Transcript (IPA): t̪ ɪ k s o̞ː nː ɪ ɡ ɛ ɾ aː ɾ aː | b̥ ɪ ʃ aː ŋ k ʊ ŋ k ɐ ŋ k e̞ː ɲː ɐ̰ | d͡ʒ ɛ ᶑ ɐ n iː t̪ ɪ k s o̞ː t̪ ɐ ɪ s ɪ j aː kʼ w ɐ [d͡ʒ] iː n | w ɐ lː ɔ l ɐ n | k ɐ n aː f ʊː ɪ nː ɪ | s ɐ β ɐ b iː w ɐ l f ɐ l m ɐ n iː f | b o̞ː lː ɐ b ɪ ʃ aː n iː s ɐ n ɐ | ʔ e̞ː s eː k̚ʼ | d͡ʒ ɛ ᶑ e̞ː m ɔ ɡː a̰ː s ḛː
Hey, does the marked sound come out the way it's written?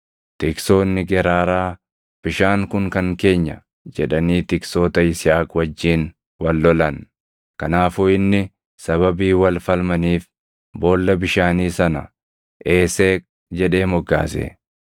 no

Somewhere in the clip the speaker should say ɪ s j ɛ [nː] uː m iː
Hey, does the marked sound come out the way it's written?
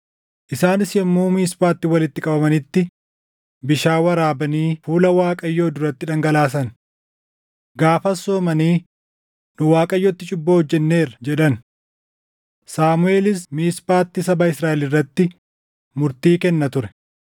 no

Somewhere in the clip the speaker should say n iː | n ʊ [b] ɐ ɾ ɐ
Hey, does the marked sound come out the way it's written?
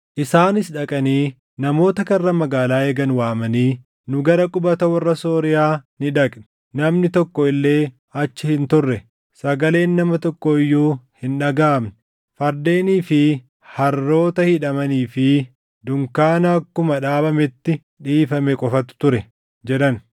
no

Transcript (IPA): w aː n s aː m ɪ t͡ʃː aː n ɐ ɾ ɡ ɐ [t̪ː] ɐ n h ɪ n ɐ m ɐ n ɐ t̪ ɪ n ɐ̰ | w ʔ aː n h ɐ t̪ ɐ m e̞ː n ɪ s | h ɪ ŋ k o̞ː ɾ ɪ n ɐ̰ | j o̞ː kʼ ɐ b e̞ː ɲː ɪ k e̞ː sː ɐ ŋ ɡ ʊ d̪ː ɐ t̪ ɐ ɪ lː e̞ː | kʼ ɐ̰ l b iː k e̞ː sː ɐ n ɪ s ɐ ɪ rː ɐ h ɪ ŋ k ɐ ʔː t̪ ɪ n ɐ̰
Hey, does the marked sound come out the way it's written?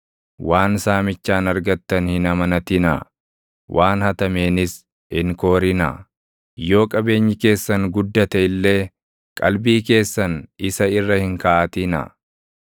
yes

